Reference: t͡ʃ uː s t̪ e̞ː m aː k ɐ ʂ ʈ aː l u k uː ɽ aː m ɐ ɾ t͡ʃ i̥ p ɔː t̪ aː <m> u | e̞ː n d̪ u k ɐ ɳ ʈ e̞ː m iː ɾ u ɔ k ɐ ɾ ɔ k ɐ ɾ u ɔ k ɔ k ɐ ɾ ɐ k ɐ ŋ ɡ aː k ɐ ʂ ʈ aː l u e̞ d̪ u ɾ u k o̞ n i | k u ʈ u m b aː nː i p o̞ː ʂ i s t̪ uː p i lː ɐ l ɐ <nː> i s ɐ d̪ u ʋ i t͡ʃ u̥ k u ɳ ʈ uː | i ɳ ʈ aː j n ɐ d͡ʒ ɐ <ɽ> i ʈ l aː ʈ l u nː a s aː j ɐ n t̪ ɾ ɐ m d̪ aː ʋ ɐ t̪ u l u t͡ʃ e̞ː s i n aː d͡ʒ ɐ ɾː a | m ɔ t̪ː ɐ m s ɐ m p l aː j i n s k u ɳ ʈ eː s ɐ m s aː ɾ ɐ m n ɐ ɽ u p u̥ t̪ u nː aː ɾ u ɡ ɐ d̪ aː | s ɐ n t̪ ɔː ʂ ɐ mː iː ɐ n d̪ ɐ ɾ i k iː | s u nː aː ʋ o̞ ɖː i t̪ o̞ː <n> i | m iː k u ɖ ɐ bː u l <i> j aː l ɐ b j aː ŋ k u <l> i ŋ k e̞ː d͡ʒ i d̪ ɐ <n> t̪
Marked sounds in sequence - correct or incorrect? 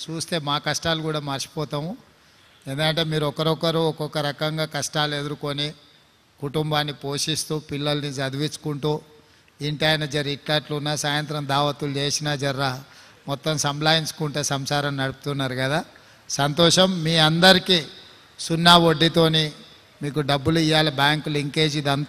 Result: correct, incorrect: n, incorrect: ɾ, correct, correct, correct, correct

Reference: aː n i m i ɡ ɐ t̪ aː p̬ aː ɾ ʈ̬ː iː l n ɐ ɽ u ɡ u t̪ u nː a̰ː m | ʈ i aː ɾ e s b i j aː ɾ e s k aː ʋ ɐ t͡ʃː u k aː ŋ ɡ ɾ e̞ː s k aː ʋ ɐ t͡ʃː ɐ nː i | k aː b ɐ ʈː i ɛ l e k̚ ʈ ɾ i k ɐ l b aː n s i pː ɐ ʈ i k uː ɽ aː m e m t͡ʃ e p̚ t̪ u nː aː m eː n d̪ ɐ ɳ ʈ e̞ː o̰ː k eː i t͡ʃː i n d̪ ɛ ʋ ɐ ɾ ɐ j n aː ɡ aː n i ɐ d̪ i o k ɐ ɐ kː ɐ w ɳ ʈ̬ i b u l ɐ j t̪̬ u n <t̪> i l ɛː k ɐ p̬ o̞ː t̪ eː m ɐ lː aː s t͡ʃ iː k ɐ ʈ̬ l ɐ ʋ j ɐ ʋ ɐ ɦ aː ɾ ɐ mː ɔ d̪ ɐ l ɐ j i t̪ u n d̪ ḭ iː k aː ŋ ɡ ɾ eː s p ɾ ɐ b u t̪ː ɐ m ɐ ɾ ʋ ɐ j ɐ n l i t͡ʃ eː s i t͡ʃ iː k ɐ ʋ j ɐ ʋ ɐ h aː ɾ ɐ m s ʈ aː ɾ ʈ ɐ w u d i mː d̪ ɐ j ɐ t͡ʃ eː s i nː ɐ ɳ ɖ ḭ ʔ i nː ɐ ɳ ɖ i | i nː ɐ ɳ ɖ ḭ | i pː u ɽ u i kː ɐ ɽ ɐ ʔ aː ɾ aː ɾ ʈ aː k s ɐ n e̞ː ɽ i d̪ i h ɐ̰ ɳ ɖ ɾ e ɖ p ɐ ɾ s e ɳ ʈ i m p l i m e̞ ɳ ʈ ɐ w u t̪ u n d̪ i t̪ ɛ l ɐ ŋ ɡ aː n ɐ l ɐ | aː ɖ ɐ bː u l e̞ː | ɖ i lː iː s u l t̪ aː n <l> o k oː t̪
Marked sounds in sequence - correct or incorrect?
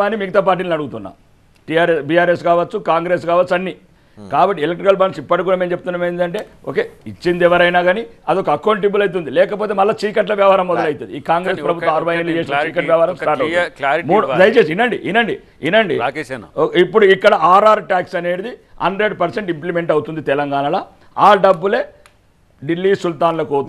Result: incorrect: d̪, correct

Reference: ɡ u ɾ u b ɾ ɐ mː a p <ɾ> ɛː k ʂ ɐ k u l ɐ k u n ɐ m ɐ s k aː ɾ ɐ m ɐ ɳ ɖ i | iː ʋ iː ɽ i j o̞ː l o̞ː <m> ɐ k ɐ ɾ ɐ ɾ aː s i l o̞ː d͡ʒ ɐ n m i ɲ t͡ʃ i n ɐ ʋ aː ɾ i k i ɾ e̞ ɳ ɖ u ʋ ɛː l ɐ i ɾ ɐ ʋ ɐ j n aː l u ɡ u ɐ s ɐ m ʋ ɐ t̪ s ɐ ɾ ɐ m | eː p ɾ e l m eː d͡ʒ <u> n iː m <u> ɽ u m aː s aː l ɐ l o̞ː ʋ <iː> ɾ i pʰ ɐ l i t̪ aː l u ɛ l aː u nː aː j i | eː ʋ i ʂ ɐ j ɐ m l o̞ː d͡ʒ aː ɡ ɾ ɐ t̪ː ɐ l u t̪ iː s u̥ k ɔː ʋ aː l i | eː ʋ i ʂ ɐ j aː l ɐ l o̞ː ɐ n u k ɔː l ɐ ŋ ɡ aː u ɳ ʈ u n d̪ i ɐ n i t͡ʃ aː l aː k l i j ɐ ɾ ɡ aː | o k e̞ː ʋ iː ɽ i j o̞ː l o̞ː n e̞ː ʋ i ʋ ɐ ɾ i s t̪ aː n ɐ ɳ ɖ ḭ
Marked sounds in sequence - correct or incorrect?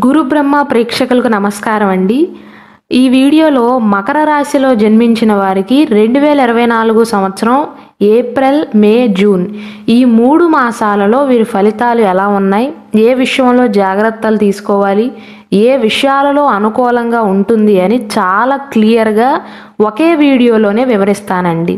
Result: correct, correct, incorrect: uː, incorrect: uː, correct

